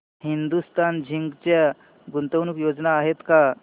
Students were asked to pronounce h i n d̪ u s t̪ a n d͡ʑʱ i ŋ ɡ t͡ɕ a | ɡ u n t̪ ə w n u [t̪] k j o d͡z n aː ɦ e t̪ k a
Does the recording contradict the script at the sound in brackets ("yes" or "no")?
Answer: yes